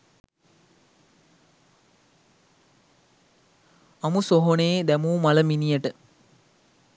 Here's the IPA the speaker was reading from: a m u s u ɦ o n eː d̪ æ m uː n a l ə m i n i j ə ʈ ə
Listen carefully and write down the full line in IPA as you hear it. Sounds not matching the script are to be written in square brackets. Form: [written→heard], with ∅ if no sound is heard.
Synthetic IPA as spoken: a m u s [u→o] ɦ o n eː d̪ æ m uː [n→m] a l ə m i n i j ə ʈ ə